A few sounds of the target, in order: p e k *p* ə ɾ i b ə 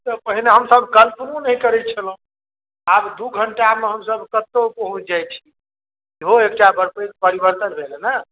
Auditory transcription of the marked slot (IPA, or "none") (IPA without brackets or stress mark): p